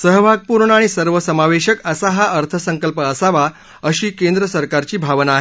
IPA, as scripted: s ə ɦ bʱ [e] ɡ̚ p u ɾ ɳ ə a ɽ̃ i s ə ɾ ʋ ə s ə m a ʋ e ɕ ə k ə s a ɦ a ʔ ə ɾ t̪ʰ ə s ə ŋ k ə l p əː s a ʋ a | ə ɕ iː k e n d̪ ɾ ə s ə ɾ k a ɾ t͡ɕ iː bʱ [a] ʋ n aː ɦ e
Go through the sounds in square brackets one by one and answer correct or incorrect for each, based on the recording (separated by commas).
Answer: incorrect, correct